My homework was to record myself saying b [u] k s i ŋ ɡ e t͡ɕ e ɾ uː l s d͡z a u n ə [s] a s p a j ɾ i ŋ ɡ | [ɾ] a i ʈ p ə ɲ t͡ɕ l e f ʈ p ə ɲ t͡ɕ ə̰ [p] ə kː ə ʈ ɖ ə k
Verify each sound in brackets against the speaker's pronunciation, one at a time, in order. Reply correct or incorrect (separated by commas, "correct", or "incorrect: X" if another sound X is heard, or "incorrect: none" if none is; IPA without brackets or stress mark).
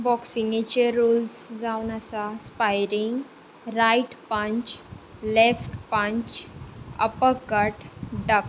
incorrect: ɔ, correct, correct, correct